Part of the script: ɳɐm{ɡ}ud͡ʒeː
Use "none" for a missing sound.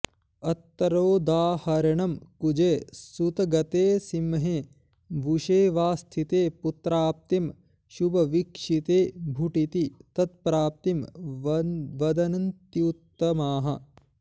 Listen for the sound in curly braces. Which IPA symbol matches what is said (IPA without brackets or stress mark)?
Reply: k